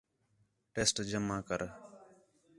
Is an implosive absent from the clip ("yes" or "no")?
yes